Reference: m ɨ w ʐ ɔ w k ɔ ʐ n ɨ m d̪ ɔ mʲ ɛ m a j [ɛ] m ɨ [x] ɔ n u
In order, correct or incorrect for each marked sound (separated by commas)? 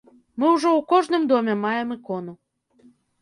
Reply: correct, incorrect